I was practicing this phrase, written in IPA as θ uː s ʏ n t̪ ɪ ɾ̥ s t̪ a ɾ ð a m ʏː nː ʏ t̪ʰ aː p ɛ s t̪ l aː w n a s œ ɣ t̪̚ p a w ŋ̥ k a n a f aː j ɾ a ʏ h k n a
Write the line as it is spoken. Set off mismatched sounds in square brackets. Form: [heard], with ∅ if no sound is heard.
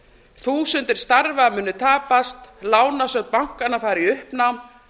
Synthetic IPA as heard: θ uː s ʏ n t̪ ɪ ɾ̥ s t̪ a ɾ [v] a m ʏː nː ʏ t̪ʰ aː p [a] s t̪ l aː w n a s œ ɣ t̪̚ p a w ŋ̥ k a n a f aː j ɾ [i] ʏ h [p] n a